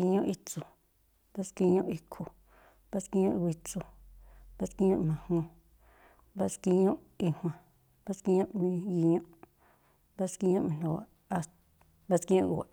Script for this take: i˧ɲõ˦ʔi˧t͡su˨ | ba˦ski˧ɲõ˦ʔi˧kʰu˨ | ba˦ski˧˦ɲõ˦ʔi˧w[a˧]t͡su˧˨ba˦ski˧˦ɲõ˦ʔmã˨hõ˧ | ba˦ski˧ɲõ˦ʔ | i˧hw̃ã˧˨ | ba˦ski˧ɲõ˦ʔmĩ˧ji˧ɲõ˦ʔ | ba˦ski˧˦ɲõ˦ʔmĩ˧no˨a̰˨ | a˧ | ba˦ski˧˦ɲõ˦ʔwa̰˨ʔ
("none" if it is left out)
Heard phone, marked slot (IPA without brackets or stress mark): i˧